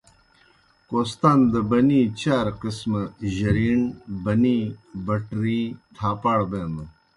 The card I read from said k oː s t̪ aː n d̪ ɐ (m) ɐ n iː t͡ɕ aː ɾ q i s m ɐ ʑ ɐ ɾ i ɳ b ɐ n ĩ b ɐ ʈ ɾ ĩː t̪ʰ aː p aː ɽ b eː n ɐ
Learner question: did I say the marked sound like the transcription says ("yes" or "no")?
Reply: no